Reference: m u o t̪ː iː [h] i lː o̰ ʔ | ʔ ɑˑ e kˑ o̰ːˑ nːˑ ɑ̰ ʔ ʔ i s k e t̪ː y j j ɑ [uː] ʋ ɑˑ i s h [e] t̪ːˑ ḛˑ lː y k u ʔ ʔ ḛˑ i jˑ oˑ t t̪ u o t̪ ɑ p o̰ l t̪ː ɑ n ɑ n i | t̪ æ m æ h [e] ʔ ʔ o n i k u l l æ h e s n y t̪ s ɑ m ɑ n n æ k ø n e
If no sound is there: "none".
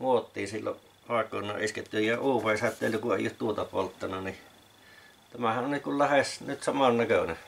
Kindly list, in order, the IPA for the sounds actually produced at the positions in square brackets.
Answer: s, uː, æ, æ

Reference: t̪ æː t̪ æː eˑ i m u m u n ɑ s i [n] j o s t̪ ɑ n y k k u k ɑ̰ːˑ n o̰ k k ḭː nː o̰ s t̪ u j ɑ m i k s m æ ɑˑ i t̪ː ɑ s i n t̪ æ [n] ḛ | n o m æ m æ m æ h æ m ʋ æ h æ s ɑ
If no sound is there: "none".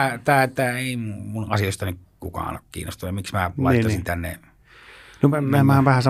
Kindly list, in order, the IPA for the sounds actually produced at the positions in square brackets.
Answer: none, nː

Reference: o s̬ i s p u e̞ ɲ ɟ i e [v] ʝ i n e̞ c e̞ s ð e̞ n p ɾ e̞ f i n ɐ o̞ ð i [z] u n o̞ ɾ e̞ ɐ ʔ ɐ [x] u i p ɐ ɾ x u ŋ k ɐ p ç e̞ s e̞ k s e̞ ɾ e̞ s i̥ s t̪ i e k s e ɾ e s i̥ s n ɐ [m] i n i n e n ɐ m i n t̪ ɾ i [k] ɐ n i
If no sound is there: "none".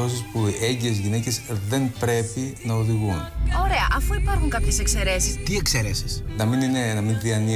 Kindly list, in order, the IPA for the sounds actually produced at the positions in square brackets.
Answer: z, ɣ, f, m, none

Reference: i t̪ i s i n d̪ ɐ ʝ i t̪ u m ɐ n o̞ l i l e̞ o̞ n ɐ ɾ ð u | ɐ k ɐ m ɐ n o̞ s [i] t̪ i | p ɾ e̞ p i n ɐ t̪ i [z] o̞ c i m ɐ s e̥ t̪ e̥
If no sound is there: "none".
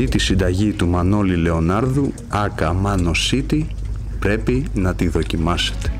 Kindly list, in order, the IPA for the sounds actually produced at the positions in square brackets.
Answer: i, ð

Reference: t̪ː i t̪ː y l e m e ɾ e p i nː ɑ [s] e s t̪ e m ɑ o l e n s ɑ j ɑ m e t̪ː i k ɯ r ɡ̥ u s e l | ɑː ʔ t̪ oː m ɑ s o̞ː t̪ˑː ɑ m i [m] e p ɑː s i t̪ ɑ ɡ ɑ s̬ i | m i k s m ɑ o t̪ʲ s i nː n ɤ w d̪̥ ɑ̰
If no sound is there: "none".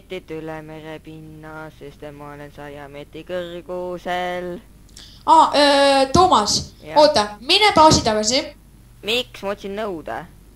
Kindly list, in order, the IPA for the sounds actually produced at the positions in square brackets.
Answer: s, n

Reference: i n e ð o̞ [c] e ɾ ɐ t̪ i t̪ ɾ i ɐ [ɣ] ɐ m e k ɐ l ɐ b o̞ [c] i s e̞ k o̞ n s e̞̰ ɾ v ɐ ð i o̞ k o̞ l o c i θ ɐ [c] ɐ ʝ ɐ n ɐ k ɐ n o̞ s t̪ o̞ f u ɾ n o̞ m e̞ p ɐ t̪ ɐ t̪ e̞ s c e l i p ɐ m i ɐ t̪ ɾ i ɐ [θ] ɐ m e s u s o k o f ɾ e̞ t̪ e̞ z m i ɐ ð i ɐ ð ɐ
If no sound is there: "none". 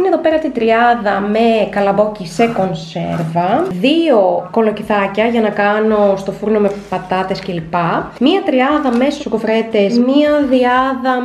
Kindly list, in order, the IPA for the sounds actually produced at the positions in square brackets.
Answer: p, ð, c, c, ð

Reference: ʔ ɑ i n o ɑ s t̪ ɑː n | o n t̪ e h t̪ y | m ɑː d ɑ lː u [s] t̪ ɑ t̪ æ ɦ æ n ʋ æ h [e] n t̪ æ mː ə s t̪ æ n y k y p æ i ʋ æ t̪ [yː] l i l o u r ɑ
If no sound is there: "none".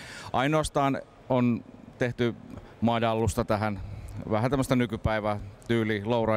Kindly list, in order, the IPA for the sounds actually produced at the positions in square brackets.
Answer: s, æ, yː

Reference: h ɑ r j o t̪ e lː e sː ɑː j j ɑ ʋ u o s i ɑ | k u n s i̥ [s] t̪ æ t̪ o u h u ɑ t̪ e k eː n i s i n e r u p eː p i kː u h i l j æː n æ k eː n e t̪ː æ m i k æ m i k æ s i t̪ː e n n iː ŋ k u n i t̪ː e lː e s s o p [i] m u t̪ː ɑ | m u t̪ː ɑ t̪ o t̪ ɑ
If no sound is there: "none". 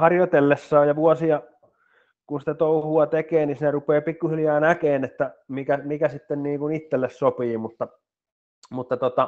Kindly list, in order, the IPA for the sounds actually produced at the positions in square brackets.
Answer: none, iː

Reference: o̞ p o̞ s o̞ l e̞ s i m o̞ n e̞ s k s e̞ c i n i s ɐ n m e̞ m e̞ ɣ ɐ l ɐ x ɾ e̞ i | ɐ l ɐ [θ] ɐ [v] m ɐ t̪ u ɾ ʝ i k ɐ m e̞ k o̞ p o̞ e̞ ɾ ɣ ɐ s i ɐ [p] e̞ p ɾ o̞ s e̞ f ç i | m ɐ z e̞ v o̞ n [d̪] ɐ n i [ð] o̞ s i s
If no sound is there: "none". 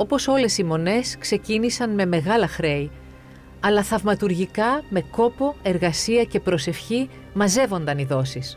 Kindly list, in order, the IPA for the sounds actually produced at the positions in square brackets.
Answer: θ, v, c, d̪, ð

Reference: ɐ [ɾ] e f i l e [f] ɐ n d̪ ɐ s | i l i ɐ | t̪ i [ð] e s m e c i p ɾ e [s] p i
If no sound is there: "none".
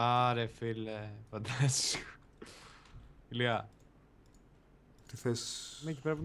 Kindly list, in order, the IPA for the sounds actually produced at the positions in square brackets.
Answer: ɾ, f, θ, none

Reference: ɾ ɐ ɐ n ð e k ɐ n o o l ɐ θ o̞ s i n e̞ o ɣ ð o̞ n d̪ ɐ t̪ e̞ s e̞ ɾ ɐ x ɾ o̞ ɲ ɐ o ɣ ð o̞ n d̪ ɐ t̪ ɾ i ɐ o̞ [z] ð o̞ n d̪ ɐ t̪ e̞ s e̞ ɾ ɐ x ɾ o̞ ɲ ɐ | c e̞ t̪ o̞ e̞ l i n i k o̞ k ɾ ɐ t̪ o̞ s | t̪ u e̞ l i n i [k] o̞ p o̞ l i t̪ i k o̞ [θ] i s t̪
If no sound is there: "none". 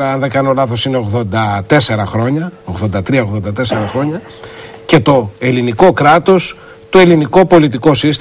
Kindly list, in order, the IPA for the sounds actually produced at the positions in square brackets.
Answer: ɣ, k, s

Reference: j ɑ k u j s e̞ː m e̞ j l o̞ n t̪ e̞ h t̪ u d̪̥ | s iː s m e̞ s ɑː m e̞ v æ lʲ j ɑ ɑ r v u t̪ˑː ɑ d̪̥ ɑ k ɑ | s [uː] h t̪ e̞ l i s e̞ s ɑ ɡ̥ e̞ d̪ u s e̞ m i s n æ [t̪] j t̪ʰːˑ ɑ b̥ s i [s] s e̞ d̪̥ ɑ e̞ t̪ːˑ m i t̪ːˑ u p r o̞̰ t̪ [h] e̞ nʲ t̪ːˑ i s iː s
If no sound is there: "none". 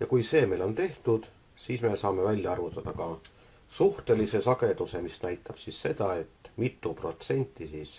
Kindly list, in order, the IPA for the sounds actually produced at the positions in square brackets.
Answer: u, none, s, s

